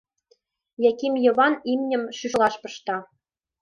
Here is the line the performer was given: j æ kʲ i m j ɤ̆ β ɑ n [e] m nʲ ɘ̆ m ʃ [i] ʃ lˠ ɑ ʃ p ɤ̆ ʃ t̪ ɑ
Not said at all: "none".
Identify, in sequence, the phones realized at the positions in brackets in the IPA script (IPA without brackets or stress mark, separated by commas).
i, y